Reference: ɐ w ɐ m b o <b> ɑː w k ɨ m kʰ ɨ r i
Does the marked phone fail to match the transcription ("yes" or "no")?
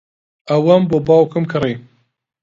no